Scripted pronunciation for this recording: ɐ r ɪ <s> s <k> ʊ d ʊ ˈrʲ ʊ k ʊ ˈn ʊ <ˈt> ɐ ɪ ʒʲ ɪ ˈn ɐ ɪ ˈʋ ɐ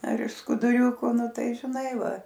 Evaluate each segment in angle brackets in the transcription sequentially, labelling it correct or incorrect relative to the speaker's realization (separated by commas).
incorrect, correct, correct